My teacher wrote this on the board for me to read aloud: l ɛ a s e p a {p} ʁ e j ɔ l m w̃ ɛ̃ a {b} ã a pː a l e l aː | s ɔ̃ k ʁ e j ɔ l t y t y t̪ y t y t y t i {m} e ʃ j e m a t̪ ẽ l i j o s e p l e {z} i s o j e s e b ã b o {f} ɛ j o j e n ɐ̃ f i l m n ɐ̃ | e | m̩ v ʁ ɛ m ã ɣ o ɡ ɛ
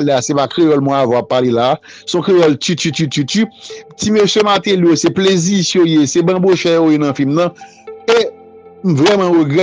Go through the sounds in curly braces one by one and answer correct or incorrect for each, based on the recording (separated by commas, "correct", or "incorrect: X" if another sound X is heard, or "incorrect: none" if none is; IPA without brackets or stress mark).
incorrect: k, incorrect: v, correct, correct, incorrect: ʃ